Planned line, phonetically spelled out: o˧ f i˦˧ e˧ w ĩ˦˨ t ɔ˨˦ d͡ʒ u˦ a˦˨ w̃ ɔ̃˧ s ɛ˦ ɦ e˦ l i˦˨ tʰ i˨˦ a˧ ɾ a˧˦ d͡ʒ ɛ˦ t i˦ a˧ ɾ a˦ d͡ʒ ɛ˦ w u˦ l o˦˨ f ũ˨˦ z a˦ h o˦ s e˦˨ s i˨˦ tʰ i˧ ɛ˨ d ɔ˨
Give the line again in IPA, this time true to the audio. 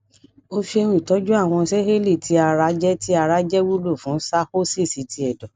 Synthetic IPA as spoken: o˧ f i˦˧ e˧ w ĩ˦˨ t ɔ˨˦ d͡ʒ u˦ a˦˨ w̃ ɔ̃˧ s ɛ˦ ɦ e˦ l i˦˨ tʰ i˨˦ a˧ ɾ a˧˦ d͡ʒ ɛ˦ t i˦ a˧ ɾ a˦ d͡ʒ ɛ˦ w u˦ l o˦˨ f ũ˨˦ s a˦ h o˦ s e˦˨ s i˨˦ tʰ i˧ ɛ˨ d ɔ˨

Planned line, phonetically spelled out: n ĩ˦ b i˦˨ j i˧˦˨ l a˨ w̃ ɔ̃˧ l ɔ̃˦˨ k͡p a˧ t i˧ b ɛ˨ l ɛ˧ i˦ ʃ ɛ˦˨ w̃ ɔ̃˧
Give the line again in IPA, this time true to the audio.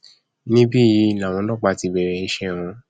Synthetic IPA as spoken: n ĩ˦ b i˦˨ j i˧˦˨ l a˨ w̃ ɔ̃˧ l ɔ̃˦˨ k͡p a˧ t i˧ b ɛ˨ ɾ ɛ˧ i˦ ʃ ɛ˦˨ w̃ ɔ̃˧

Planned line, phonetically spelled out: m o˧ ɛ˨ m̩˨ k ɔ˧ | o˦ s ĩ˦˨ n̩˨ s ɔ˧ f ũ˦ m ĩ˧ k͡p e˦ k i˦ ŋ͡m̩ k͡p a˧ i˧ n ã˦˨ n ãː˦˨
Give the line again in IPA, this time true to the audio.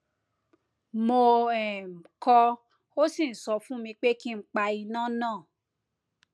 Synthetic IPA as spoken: m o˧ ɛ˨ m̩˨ k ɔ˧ | o˦ s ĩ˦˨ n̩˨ s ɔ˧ f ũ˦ m ĩ˧ k͡p e˦ k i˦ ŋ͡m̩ k͡p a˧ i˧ n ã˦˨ n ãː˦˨

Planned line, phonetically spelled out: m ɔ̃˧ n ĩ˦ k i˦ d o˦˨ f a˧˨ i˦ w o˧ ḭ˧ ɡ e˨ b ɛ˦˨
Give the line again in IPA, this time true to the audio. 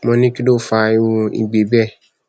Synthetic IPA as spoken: m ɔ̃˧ n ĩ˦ k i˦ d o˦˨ f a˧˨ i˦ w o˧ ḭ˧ ɡ͡b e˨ b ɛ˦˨

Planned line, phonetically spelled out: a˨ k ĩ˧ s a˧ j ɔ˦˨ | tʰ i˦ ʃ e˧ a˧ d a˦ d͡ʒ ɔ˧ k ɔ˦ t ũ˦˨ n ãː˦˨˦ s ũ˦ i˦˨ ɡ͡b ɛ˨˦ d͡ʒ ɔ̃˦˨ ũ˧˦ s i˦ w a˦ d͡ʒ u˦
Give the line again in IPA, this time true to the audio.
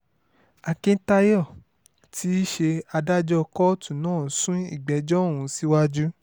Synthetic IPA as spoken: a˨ k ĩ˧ t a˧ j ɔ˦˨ | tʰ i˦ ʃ e˧ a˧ d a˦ d͡ʒ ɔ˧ k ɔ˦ t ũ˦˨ n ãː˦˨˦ s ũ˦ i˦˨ ɡ͡b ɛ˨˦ d͡ʒ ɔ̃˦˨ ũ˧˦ s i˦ w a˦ d͡ʒ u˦

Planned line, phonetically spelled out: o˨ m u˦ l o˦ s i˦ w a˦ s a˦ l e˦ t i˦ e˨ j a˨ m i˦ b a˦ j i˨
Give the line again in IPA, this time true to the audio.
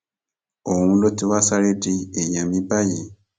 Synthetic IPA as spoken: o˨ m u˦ l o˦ t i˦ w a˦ s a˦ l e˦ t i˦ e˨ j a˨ m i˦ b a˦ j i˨

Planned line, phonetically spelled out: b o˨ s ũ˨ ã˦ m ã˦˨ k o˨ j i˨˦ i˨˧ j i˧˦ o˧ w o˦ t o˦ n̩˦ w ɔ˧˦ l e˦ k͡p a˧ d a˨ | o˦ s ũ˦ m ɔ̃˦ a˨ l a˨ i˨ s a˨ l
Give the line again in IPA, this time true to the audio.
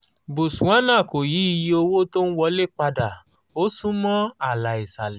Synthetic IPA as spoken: b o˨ s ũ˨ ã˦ n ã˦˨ k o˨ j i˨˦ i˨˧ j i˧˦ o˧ w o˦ t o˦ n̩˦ w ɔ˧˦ l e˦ k͡p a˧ d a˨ | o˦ s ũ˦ m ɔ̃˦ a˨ l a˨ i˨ s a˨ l

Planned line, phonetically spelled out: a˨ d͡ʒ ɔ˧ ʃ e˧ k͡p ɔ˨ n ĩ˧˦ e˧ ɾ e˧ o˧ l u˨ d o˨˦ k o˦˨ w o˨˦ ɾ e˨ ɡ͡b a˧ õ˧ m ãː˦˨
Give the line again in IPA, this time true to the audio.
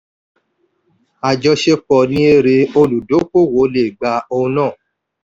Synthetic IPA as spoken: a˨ d͡ʒ ɔ˧ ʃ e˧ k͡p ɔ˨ n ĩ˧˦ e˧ ɾ e˧ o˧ l u˨ d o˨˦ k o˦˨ w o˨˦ l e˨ ɡ͡b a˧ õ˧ n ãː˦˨

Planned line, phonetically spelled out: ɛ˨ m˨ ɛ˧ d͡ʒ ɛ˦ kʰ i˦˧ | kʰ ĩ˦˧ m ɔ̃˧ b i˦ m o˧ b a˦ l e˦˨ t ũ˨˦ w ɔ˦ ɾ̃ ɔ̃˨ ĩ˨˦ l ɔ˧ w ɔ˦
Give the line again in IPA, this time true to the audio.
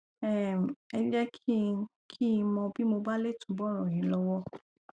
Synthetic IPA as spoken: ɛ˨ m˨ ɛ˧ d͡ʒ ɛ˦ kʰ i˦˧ | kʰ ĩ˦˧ m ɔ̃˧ b i˦ m o˧ b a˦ l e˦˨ t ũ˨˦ b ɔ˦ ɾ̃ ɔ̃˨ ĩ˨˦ l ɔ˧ w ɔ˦

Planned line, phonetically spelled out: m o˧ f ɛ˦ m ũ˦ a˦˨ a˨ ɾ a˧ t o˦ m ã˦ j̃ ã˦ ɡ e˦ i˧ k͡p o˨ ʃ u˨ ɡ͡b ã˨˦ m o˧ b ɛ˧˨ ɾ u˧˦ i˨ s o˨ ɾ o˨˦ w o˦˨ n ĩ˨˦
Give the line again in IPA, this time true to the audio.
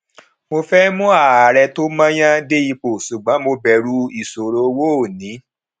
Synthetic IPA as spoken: m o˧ f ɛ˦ m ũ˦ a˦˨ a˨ ɾ ɛ˧ t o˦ m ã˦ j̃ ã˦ d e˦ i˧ k͡p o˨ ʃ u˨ ɡ͡b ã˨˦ m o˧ b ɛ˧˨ ɾ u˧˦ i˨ s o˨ ɾ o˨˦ w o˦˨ n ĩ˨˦

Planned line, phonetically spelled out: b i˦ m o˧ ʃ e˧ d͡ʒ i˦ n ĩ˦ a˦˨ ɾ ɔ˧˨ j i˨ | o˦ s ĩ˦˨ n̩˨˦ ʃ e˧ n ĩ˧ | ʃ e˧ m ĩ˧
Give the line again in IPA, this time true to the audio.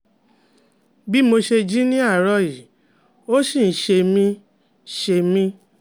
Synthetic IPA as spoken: b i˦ m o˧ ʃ e˧ d͡ʒ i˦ n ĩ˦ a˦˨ ɾ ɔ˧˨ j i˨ | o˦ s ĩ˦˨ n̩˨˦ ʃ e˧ m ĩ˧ | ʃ e˧ m ĩ˧

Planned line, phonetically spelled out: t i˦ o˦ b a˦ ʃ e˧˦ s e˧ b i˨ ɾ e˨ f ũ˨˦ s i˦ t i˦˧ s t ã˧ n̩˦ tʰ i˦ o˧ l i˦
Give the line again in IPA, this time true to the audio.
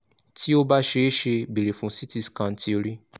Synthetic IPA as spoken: t i˦ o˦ b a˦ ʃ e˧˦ ʃ e˧ b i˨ ɾ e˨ f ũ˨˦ s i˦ t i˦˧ s k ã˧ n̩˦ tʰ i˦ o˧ ɾ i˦

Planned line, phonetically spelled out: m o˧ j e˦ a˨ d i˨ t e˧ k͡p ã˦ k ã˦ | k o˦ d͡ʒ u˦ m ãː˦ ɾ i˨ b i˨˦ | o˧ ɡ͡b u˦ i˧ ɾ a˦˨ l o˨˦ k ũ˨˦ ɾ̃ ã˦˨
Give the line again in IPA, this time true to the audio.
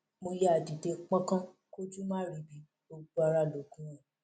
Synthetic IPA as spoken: m o˧ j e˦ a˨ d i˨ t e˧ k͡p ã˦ k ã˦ | k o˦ d͡ʒ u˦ m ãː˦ ɾ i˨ b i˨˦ | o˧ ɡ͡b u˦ a˧ ɾ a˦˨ l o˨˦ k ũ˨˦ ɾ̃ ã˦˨

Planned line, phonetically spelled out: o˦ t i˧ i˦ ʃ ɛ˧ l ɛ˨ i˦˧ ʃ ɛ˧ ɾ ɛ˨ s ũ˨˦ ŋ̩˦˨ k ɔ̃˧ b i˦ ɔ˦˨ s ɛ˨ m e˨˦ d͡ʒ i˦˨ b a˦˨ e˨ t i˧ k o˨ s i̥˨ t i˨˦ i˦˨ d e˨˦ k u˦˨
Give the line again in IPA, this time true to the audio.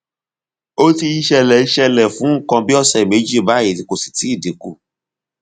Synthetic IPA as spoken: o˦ t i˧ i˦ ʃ ɛ˧ l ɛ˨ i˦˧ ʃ ɛ˧ l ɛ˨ f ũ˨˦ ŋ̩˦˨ k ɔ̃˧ b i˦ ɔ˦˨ s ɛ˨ m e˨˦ d͡ʒ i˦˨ b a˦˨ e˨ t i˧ k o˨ s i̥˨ t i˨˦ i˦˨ d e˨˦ k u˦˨

